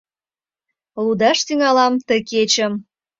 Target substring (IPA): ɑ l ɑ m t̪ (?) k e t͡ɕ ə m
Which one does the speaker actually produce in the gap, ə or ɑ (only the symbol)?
ə